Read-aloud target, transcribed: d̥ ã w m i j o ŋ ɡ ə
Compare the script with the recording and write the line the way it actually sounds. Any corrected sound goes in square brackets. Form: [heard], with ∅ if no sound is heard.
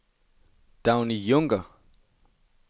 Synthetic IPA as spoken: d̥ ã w [n] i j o ŋ ɡ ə